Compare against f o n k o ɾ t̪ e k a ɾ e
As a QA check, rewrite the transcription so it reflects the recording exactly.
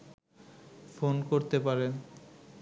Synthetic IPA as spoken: f o n k o ɾ t̪ e p a ɾ e